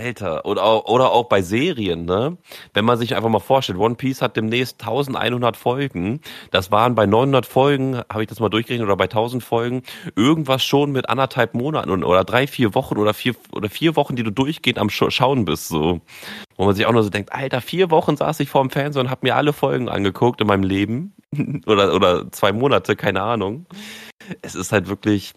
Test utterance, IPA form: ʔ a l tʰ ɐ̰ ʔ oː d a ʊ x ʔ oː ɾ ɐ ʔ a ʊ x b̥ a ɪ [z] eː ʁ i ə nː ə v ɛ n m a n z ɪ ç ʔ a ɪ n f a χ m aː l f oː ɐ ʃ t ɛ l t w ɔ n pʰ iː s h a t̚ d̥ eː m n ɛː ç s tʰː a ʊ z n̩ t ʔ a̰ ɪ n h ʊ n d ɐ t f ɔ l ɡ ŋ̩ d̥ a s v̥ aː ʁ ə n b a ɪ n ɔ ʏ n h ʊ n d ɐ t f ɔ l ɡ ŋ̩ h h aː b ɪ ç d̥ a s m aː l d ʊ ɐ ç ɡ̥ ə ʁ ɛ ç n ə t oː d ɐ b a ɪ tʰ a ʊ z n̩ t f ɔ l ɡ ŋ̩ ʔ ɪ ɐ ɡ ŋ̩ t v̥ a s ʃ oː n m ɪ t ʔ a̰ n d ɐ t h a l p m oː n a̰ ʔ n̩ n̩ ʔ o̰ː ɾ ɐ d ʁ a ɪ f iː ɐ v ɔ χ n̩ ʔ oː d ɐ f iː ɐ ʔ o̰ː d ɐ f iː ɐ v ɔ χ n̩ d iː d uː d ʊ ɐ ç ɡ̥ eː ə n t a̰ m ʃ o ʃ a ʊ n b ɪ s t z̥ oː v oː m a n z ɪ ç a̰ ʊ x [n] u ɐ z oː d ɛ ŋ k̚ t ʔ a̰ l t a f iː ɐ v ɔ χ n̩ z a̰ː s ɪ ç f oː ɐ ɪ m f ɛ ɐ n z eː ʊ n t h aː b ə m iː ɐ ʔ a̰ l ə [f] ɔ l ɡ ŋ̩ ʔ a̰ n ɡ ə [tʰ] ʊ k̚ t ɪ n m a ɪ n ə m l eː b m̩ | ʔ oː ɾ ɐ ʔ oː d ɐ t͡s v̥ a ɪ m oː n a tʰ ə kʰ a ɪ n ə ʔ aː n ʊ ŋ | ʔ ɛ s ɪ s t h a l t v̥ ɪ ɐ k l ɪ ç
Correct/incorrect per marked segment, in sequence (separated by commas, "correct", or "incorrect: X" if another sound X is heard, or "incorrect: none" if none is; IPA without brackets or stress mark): correct, correct, correct, incorrect: kʰ